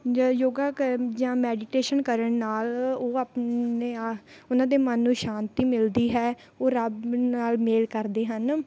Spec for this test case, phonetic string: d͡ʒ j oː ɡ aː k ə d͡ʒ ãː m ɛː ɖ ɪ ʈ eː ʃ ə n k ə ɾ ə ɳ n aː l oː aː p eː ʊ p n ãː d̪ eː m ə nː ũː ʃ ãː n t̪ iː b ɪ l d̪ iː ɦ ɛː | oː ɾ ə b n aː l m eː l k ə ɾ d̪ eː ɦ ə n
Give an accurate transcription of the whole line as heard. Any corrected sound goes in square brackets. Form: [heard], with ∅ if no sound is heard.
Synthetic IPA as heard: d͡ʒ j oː ɡ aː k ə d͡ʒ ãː m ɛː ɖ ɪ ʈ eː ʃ ə n k ə ɾ ə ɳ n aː l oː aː p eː ʊ [∅] n ãː d̪ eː m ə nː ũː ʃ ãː n t̪ iː [m] ɪ l d̪ iː ɦ ɛː | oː ɾ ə b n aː l m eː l k ə ɾ d̪ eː ɦ ə n

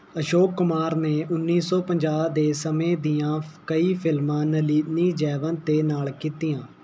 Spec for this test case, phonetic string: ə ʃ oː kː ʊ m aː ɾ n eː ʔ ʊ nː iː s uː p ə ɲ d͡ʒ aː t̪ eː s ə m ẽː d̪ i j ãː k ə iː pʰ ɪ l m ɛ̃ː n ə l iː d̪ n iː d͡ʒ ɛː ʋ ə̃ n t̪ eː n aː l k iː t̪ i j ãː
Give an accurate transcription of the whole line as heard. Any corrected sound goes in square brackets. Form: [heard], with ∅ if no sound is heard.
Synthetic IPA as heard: ə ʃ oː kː ʊ m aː ɾ n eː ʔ ʊ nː iː s [ɔː] p ə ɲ d͡ʒ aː [d̪] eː s ə m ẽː d̪ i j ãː k ə iː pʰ ɪ l m [ãː] n ə l iː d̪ n iː d͡ʒ ɛː ʋ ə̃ n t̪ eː n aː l k iː t̪ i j ãː

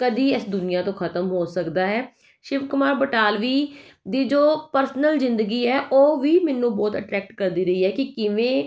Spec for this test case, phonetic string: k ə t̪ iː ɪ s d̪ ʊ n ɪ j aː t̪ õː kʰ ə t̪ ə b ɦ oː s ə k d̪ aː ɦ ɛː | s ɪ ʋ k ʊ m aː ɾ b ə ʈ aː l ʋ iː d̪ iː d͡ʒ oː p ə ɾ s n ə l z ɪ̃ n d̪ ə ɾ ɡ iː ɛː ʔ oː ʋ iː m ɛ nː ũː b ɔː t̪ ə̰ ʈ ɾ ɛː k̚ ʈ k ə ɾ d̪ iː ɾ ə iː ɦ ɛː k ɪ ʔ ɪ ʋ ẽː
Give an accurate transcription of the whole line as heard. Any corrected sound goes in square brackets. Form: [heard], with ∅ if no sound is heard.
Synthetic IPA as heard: k ə [d̪] iː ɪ s d̪ ʊ n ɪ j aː t̪ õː kʰ ə t̪ ə [m] ɦ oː s ə k d̪ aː ɦ ɛː | [ʃ] ɪ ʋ k ʊ m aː ɾ b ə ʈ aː l ʋ iː d̪ iː d͡ʒ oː p ə ɾ s n ə l z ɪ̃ n d̪ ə [∅] ɡ iː ɛː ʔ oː ʋ iː m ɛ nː ũː b ɔː t̪ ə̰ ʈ ɾ ɛː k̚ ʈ k ə ɾ d̪ iː ɾ ə iː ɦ ɛː k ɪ [k] ɪ ʋ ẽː

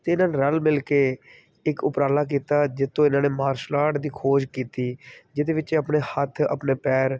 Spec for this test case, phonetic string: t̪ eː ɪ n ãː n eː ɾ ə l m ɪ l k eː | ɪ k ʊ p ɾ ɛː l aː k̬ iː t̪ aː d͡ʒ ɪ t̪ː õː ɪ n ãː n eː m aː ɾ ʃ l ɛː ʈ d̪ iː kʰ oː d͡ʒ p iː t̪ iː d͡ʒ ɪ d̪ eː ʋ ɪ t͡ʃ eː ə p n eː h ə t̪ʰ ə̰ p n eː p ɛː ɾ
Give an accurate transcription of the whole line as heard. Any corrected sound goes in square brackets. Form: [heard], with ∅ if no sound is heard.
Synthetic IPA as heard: t̪ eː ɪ n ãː n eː ɾ ə l m ɪ l k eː | ɪ k ʊ p ɾ [aː] l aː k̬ iː t̪ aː d͡ʒ ɪ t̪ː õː ɪ n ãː n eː m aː ɾ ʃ l [aː] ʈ d̪ iː kʰ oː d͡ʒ [k] iː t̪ iː d͡ʒ ɪ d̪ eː ʋ ɪ t͡ʃ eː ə p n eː h ə t̪ʰ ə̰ p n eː p ɛː ɾ

